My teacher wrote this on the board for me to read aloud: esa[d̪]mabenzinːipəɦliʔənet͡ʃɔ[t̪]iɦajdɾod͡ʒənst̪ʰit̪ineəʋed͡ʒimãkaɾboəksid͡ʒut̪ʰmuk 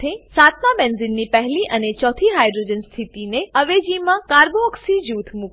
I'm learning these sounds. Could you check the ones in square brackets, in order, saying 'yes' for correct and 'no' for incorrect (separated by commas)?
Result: no, no